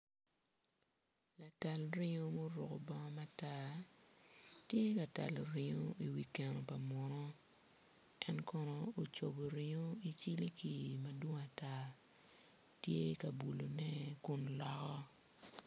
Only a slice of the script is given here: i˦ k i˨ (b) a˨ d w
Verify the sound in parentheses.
incorrect: m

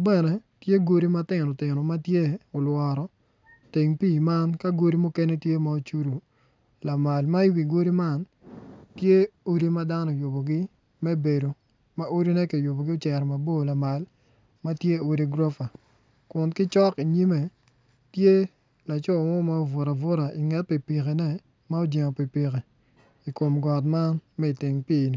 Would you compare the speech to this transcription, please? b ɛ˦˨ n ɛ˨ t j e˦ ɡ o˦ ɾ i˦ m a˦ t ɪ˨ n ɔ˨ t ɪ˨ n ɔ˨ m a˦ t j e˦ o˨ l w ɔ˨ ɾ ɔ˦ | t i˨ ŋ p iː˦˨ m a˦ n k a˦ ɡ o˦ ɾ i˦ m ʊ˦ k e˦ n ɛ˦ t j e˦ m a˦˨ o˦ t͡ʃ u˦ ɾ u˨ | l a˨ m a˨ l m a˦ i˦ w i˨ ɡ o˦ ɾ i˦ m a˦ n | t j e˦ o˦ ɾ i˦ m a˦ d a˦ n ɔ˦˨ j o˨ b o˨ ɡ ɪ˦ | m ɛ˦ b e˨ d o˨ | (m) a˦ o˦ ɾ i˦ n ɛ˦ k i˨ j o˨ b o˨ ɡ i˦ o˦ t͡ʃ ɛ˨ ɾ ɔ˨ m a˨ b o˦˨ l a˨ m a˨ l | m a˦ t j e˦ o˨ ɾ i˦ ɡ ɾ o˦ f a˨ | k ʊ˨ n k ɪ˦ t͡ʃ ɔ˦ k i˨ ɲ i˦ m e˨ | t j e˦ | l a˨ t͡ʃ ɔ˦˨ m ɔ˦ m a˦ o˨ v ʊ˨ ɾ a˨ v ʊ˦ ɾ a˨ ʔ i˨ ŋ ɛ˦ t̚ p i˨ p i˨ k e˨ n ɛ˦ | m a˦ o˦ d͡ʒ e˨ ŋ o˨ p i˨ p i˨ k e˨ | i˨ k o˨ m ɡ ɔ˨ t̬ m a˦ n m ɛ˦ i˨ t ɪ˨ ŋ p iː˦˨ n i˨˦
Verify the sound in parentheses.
correct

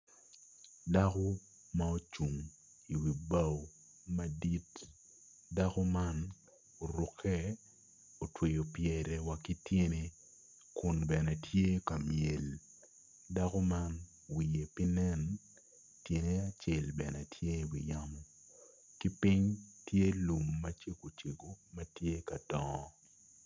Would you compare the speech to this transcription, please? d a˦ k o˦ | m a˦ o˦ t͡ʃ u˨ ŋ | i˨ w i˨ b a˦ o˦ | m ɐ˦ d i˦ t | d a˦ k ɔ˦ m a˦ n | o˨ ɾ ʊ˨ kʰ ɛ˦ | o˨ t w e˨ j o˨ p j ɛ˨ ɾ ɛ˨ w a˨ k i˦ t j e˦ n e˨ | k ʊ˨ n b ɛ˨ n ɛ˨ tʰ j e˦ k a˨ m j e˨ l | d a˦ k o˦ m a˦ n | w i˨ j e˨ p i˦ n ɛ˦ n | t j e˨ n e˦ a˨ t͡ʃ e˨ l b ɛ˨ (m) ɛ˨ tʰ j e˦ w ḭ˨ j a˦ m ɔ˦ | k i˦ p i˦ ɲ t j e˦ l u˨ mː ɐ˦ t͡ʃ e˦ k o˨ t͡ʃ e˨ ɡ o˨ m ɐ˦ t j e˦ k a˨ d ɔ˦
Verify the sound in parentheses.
incorrect: n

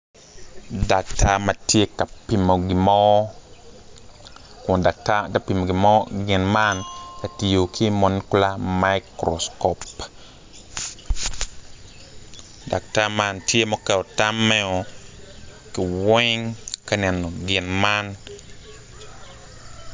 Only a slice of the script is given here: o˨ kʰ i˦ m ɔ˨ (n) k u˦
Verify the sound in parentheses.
correct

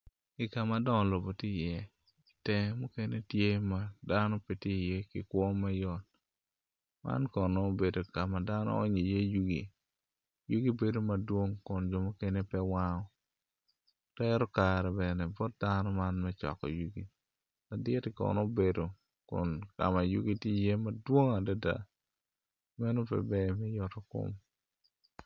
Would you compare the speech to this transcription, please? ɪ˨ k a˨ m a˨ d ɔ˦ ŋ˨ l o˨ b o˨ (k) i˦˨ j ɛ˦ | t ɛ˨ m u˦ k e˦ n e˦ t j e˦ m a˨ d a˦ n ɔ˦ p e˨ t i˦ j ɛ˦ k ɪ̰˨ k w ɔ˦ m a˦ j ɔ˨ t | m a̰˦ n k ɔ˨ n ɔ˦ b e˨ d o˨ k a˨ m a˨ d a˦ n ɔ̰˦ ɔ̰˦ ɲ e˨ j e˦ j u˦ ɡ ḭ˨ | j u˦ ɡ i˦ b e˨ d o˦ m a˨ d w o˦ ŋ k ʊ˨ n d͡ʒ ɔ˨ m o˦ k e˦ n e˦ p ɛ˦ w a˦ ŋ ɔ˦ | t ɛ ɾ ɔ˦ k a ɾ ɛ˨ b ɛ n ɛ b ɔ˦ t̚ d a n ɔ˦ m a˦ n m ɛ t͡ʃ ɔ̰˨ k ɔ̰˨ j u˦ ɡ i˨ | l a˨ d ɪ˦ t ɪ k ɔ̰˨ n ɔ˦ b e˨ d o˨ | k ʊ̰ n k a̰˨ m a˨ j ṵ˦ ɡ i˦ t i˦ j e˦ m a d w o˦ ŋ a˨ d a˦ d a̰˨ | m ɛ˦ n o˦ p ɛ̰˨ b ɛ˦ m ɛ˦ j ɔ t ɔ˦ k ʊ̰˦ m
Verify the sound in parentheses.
incorrect: t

